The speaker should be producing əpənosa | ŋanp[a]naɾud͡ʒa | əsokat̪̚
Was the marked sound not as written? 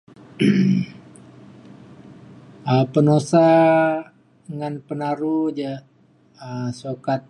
yes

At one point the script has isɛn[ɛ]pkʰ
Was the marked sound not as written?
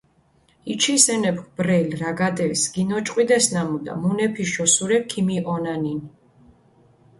no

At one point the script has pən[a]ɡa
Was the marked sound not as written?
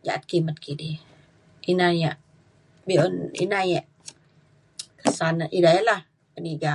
yes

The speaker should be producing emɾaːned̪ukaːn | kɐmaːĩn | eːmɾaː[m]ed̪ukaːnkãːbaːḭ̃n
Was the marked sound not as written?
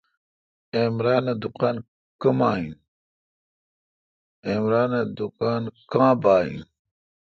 yes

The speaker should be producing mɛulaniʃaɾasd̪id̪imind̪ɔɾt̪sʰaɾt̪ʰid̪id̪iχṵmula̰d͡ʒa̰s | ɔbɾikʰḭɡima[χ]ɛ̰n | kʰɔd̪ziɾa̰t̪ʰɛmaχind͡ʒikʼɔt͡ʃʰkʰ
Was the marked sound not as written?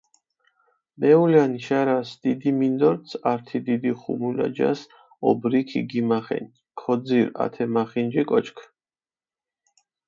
no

